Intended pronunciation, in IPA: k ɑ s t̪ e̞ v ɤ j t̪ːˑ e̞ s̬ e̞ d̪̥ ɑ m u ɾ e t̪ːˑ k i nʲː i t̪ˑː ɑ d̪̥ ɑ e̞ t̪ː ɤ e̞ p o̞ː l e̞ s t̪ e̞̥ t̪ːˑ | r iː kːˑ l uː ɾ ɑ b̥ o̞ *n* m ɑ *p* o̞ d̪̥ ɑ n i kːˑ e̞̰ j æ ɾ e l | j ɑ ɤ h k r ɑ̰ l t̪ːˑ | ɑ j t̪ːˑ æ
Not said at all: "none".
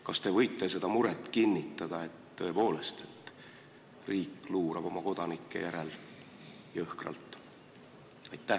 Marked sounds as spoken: none, k

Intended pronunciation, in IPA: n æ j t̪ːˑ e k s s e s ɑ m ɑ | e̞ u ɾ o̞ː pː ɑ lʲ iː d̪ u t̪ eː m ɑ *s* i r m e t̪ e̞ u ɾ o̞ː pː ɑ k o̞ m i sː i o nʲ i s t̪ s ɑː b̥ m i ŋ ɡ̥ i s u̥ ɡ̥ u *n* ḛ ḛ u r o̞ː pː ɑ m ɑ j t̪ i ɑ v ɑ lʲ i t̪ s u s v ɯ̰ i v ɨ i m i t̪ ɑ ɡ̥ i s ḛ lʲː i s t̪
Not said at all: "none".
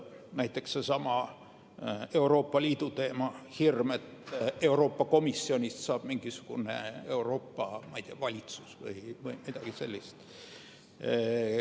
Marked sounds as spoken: h, n

